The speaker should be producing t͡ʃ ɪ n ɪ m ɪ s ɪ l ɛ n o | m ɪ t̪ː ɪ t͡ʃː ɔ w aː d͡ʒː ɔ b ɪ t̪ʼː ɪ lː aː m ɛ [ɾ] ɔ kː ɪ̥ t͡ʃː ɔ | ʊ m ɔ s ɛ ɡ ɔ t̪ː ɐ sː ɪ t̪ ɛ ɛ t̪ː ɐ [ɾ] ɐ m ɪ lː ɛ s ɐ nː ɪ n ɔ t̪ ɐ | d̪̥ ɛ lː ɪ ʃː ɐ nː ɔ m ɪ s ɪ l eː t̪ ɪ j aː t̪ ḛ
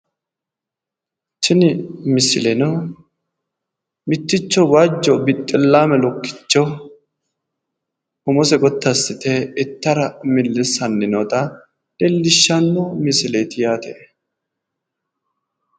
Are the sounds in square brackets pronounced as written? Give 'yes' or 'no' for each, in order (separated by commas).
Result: no, yes